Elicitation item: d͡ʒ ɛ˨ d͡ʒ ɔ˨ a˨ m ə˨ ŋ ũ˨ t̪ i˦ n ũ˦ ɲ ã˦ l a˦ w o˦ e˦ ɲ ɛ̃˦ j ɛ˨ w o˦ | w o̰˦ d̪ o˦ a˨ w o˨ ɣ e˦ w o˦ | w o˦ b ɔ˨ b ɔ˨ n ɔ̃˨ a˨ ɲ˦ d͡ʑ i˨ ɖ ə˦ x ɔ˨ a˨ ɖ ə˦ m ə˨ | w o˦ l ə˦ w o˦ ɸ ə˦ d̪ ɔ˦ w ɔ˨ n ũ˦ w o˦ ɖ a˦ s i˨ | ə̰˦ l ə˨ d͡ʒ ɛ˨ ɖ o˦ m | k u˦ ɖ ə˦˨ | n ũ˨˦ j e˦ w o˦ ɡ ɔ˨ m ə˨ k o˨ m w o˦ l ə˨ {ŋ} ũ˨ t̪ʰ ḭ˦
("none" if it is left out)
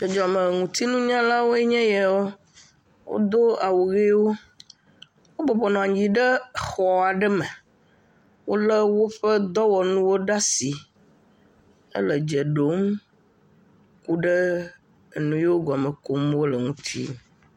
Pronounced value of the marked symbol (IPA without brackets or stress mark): ŋ